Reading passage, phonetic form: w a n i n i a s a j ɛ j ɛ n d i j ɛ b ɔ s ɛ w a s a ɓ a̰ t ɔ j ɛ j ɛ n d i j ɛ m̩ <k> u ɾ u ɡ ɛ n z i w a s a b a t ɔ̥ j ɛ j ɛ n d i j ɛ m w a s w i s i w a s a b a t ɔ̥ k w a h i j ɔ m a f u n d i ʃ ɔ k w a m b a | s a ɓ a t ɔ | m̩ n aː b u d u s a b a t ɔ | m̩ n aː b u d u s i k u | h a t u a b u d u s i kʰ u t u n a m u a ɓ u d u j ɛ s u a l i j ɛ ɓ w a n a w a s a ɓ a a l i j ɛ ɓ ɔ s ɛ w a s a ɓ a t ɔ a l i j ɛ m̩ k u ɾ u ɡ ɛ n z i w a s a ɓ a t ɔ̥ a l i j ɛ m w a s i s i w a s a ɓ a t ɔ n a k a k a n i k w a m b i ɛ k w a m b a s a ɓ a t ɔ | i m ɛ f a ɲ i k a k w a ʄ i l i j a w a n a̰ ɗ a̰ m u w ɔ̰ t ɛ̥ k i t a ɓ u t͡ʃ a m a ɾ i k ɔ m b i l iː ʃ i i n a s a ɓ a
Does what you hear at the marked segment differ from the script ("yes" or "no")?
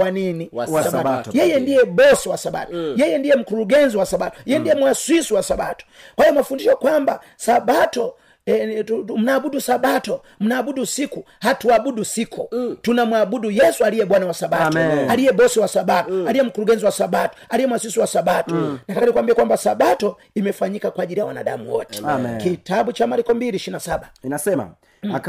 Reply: no